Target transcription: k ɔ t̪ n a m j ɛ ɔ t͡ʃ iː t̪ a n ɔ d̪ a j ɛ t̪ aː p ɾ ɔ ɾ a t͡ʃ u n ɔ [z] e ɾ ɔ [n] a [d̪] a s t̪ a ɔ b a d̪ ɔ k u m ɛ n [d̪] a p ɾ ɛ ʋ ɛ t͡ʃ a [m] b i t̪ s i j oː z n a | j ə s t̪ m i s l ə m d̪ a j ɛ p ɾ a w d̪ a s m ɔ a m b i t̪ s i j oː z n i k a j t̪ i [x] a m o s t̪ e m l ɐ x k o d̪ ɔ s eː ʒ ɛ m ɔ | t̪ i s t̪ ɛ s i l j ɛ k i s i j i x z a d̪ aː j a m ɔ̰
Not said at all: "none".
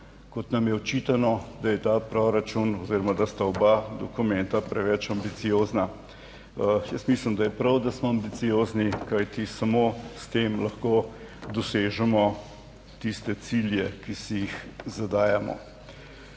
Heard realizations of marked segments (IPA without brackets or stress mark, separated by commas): z, m, d̪, t̪, m, s